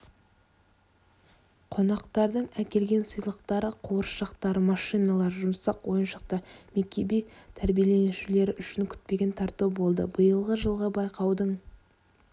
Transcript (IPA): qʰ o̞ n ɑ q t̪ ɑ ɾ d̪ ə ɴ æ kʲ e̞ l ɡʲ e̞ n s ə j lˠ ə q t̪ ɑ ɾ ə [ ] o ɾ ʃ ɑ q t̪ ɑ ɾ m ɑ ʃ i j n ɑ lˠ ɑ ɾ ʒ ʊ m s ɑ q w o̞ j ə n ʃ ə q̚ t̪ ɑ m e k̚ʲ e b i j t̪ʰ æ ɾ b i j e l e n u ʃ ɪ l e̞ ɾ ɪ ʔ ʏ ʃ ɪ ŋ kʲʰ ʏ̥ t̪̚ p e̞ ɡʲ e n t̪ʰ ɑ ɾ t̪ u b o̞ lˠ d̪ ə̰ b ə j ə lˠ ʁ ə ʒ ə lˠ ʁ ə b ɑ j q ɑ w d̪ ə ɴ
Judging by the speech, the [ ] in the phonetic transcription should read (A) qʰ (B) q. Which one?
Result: A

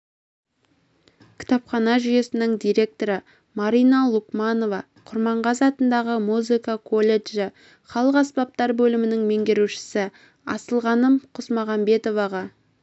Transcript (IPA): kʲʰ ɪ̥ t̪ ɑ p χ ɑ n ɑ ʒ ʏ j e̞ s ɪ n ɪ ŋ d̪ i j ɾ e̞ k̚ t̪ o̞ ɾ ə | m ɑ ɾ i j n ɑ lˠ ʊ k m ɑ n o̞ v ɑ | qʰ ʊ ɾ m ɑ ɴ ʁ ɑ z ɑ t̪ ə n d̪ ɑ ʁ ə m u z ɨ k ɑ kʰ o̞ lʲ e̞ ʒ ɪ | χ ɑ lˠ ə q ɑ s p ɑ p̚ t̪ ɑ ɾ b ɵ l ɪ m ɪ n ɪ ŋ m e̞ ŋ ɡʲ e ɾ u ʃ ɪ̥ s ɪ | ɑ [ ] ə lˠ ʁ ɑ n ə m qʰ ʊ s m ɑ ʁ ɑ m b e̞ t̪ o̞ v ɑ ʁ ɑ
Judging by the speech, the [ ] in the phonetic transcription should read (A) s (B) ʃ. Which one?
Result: A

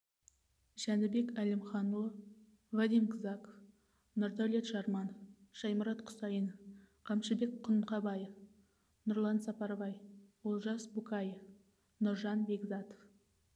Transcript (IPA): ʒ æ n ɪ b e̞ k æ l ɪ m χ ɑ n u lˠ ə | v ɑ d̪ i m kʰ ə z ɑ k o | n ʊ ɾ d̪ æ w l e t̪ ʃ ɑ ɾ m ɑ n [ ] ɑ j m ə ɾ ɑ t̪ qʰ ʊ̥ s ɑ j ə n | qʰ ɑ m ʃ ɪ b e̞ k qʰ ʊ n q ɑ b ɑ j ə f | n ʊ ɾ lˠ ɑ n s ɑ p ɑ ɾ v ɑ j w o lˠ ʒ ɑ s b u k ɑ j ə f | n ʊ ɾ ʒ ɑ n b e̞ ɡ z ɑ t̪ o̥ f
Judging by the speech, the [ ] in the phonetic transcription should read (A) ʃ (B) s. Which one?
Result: A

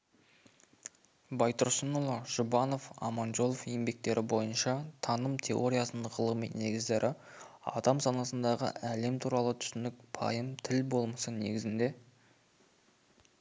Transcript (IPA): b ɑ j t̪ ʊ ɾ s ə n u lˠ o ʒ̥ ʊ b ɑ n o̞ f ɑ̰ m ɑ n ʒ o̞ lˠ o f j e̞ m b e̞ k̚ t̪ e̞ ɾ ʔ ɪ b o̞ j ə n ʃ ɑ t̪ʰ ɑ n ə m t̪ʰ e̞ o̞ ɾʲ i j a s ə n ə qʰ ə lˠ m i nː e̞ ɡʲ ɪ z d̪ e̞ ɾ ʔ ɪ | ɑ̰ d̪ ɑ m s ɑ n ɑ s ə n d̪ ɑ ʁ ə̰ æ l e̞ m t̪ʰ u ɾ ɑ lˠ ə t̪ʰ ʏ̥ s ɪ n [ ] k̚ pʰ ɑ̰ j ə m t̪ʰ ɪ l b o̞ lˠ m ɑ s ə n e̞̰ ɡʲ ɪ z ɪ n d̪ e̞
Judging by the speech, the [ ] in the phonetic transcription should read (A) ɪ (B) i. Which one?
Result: A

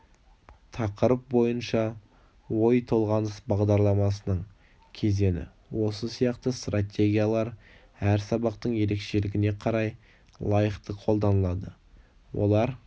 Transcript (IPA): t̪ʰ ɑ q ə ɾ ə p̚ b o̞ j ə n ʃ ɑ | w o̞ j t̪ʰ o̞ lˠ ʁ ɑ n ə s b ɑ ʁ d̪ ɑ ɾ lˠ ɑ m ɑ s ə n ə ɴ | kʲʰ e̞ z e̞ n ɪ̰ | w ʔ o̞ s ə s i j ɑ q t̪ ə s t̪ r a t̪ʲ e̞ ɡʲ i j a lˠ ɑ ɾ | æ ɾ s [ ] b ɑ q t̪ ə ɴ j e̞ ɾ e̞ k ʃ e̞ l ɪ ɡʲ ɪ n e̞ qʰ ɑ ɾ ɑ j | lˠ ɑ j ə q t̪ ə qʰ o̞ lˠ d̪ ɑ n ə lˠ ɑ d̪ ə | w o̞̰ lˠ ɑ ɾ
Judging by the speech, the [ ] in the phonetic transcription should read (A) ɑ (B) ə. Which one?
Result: A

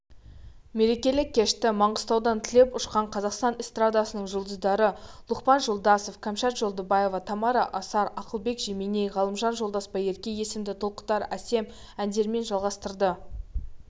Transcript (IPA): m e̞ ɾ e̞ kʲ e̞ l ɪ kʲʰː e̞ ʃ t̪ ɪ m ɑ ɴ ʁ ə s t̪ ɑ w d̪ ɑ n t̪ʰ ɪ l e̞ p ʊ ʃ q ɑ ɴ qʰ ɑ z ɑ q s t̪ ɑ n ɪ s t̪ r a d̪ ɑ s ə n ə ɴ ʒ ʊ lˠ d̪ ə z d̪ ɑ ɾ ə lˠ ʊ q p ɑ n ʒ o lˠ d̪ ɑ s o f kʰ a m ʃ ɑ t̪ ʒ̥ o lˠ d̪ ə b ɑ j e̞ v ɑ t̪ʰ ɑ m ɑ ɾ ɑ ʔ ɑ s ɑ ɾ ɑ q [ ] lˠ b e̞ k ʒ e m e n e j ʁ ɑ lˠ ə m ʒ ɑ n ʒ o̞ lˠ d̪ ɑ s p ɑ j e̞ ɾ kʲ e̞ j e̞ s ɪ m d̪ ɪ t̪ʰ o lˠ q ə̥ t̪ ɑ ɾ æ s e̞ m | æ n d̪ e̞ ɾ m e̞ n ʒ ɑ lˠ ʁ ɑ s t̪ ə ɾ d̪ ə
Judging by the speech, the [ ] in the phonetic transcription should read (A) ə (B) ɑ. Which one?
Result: A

